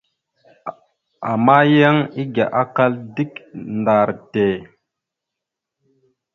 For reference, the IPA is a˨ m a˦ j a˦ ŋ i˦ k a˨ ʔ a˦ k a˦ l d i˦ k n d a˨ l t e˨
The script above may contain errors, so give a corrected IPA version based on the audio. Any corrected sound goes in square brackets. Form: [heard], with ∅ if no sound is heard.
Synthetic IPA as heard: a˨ m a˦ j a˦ ŋ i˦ [ɡ] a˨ ʔ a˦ k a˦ l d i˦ k n d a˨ [ɾ] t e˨